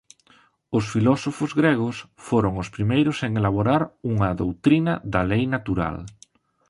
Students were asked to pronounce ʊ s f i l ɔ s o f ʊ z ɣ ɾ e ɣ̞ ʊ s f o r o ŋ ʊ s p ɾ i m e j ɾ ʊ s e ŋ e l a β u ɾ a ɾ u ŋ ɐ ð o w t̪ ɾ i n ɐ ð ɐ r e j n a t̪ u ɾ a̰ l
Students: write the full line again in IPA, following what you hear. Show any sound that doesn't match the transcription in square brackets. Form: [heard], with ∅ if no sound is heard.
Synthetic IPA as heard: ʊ s f i l ɔ s o f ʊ z ɣ ɾ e ɣ̞ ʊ s f o [ɾ] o ŋ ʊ s p ɾ i m e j ɾ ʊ s e ŋ e l a β [o] ɾ a ɾ u ŋ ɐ ð o w t̪ ɾ i n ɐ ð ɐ [l] e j n a t̪ u ɾ a̰ l